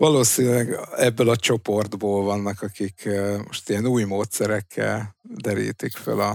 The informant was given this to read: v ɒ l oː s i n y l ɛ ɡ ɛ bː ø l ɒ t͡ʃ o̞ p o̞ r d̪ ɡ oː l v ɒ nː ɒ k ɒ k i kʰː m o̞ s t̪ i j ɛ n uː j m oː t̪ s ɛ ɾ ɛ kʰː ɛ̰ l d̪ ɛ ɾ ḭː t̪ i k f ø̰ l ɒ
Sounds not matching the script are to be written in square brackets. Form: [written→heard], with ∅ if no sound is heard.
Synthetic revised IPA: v ɒ l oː s i n y l ɛ ɡ ɛ bː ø l ɒ t͡ʃ o̞ p o̞ r d̪ [ɡ→b] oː l v ɒ nː ɒ k ɒ k i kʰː m o̞ [s→ʃ] t̪ i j ɛ n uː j m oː t̪ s ɛ ɾ ɛ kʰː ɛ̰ l d̪ ɛ ɾ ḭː t̪ i k f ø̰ l ɒ